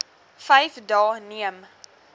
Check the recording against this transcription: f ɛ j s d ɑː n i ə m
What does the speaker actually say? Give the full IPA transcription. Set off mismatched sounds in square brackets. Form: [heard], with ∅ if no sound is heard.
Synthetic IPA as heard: f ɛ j [f] d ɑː n i ə m